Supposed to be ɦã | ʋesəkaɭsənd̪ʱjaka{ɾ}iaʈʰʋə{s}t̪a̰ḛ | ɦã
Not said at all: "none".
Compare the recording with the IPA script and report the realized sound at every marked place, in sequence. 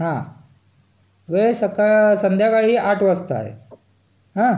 ɭ, s

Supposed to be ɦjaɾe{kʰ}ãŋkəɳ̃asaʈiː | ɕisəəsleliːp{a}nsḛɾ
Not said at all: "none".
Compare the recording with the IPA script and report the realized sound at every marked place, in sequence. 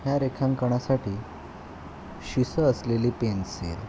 kʰ, e

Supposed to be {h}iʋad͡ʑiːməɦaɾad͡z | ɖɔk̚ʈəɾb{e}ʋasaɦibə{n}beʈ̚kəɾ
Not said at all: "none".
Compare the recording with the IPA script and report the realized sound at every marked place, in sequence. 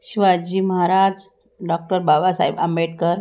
ɕ, a, m

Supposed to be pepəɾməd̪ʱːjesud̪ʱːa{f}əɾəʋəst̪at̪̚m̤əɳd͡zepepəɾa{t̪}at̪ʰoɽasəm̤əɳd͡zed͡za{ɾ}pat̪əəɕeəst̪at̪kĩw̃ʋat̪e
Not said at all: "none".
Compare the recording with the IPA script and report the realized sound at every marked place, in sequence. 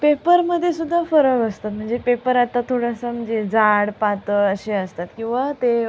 f, t̪, ɽ

